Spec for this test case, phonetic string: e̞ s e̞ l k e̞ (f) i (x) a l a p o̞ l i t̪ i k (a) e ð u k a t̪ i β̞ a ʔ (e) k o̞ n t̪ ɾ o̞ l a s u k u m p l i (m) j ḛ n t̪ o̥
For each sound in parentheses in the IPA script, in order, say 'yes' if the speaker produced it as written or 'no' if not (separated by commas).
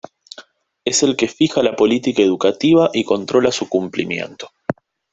yes, yes, yes, no, yes